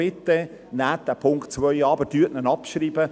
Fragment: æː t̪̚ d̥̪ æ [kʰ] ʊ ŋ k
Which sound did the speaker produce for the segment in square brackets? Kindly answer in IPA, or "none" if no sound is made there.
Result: pʰ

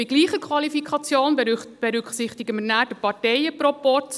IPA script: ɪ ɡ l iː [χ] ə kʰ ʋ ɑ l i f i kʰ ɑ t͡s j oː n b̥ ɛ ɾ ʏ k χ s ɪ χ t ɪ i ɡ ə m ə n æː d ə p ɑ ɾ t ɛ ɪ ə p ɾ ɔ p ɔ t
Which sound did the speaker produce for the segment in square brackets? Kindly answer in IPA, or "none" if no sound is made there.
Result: χ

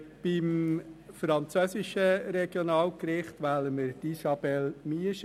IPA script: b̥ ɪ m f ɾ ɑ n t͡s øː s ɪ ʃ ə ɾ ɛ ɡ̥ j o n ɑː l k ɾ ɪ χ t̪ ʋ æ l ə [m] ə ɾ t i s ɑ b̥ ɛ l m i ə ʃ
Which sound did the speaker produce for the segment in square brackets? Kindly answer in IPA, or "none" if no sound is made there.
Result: m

